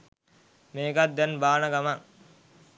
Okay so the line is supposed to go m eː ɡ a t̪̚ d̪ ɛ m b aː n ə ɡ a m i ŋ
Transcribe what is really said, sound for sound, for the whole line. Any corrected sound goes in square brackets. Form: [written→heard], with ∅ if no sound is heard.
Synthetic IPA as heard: m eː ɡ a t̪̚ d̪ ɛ [m→n] b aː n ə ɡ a m [i→a] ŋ